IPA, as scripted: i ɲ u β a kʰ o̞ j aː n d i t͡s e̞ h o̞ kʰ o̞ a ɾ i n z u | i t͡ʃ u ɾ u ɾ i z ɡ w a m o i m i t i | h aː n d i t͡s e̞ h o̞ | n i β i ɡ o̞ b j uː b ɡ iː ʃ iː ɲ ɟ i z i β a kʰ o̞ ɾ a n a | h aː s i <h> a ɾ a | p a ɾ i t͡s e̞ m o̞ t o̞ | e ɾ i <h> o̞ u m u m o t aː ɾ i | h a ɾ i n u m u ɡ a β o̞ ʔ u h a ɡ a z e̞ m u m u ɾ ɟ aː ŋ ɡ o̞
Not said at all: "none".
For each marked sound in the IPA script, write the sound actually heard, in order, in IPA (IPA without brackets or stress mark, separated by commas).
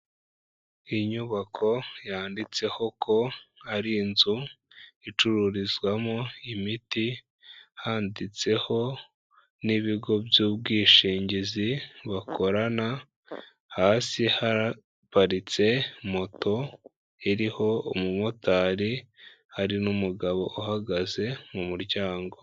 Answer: h, h